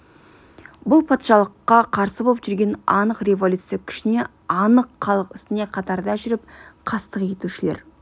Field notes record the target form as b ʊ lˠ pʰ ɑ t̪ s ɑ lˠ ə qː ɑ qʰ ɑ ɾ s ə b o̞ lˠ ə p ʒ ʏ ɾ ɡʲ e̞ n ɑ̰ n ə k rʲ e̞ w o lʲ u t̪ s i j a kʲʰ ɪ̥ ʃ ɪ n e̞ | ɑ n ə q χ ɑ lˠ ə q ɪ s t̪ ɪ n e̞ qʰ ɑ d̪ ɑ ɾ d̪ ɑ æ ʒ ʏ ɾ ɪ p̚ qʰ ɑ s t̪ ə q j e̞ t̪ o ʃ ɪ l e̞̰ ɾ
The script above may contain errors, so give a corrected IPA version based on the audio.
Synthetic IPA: b ʊ lˠ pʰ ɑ t̪ ʃ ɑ lˠ ə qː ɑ qʰ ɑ ɾ s ə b o̞ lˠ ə p ʒ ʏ ɾ ɡʲ e̞ n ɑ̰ n ə q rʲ e̞ v o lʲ u t̪ s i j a kʲʰ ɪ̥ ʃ ɪ n e̞ | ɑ n ə q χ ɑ lˠ ə q ɪ s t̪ ɪ n e̞ qʰ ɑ t̪ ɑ ɾ d̪ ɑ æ ʒ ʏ ɾ ɪ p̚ qʰ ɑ s t̪ ə q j e̞ t̪ u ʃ ɪ l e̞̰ ɾ